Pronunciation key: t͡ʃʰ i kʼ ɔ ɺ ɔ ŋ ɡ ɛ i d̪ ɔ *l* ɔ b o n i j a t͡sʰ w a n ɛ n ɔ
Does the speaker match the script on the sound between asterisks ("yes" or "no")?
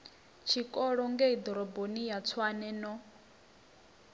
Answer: no